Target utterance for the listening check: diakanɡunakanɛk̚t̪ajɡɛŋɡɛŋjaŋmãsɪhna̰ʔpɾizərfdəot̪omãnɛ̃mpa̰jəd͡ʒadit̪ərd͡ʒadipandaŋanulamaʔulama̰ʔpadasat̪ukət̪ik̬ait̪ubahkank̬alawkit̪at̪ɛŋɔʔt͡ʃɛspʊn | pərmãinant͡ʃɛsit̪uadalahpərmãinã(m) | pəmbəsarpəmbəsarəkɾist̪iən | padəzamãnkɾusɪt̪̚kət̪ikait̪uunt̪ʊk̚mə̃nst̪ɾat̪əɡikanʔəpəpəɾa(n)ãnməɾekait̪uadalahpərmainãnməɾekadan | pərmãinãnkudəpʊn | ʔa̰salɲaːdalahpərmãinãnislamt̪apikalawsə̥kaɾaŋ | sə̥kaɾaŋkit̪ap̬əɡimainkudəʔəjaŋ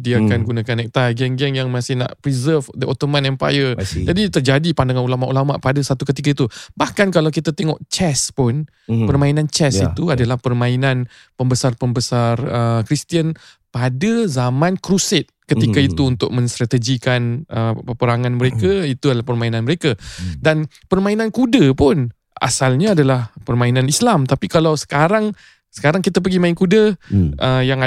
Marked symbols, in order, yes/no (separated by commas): no, no